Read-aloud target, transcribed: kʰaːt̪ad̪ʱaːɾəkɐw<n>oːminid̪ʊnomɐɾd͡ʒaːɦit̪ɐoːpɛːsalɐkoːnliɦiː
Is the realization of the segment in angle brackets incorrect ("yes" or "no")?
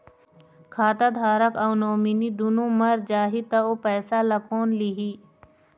no